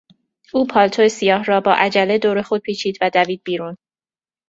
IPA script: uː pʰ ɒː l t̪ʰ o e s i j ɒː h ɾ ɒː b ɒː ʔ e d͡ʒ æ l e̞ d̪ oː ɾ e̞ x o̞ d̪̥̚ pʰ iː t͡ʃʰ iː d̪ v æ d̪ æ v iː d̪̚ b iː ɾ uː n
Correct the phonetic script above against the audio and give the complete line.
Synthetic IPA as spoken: uː pʰ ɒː l t̪ʰ o e s i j ɒː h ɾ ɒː b ɒː ʔ æ d͡ʒ æ l e̞ d̪ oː ɾ e̞ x o̞ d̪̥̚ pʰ iː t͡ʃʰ iː d̪ v æ d̪ æ v iː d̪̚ b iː ɾ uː n

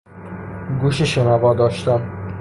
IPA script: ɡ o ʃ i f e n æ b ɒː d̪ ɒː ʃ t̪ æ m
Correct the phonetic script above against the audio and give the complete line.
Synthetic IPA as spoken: ɡ u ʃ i ʃ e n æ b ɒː d̪ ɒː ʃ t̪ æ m

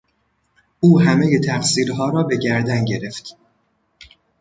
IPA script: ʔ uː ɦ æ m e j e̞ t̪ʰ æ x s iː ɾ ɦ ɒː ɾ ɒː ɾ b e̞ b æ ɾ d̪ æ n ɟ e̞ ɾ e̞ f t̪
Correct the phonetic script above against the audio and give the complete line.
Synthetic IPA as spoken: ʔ uː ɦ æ m e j e̞ t̪ʰ æ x s iː ɾ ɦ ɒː ɾ ɒː b e̞ ɟ æ ɾ d̪ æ n ɟ e̞ ɾ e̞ f t̪

